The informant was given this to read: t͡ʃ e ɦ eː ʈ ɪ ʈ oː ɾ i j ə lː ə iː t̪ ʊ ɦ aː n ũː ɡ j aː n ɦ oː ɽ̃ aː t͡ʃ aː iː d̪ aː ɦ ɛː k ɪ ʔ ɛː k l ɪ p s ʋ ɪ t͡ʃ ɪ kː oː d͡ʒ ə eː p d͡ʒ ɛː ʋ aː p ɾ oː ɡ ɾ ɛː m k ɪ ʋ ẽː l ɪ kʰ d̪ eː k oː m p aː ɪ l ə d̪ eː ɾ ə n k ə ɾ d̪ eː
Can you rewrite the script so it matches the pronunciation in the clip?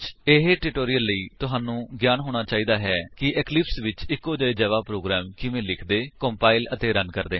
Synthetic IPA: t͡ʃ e ɦ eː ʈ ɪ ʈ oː ɾ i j ə lː ə iː t̪ ʊ ɦ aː n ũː ɡ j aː n ɦ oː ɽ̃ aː t͡ʃ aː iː d̪ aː ɦ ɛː k ɪ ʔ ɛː k l ɪ p s ʋ ɪ t͡ʃ ɪ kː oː d͡ʒ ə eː d͡ʒ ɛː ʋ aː p ɾ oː ɡ ɾ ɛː m k ɪ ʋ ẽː l ɪ kʰ d̪ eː k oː m p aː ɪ l ə t̪ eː ɾ ə n k ə ɾ d̪ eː